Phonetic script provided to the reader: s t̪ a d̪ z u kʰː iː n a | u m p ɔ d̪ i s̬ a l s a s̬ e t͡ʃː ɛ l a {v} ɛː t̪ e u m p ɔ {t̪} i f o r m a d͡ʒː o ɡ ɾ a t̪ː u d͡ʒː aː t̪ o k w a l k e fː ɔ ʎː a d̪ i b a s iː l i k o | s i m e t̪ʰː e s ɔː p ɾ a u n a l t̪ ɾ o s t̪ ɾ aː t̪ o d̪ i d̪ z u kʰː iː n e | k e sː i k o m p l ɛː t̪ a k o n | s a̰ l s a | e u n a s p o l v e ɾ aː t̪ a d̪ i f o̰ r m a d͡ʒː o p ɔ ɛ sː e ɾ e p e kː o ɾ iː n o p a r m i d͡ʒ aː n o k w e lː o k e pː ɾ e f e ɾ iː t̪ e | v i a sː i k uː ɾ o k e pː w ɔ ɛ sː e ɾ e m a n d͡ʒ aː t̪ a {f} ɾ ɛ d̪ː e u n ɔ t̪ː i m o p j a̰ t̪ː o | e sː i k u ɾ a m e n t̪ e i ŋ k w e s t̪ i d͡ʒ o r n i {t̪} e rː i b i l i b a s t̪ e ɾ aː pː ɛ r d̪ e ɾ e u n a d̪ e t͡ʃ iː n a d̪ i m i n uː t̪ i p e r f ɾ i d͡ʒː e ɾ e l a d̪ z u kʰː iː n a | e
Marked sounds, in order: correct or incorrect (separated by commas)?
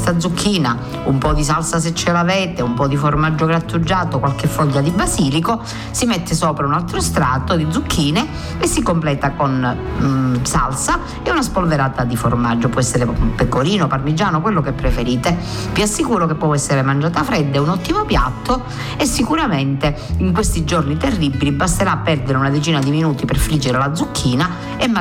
correct, incorrect, correct, correct